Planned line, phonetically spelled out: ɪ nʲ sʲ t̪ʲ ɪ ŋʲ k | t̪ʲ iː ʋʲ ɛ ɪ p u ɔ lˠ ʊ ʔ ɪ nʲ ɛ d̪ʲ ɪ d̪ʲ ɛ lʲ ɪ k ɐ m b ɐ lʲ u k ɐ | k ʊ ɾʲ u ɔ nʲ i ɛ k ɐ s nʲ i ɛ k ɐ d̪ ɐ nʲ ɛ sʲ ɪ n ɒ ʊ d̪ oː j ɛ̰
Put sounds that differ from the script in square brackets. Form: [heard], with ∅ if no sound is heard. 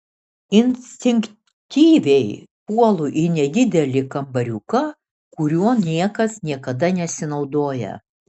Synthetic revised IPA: ɪ nʲ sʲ t̪ʲ ɪ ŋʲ k | t̪ʲ iː ʋʲ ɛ ɪ p u ɔ lˠ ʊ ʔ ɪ nʲ ɛ d̪ʲ ɪ d̪ʲ ɛ lʲ ɪ k ɐ m b ɐ [ɾʲ] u k ɐ | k ʊ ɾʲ u ɔ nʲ i ɛ k ɐ s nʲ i ɛ k ɐ d̪ ɐ nʲ ɛ sʲ ɪ n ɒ ʊ d̪ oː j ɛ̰